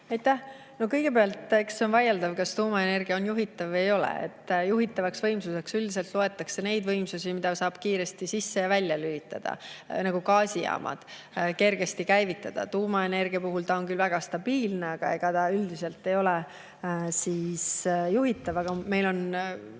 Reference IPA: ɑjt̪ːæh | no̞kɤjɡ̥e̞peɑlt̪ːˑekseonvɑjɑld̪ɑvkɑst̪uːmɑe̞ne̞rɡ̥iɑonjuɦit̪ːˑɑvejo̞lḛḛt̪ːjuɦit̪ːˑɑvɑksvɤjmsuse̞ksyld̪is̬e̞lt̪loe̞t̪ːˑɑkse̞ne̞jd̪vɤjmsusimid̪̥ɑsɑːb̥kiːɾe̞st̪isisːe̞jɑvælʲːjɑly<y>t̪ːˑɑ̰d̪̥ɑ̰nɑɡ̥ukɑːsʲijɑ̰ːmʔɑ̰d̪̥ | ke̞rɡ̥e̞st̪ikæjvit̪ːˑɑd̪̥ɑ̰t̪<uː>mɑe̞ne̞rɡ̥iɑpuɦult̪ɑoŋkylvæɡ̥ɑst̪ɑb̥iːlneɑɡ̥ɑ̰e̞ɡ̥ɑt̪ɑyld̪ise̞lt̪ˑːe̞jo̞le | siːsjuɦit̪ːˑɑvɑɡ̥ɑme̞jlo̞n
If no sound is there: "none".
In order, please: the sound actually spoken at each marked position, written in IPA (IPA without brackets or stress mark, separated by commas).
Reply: i, uː